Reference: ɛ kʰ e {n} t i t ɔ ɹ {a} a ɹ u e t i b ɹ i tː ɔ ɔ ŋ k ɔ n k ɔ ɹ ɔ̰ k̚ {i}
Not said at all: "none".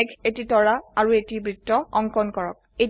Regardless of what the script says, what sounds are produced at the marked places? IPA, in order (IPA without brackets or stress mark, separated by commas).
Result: none, a, e